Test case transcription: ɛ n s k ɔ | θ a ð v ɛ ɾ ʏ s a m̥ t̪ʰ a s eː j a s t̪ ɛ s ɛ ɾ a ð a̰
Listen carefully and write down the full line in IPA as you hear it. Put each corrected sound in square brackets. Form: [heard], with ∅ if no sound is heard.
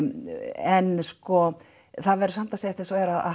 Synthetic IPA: ɛ n s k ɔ | θ a ð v ɛ ɾ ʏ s a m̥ [t̪] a s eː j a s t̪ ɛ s ɛ ɾ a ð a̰